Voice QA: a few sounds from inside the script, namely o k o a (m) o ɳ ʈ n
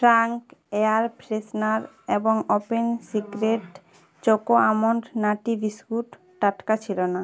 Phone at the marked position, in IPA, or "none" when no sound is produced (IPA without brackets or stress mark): m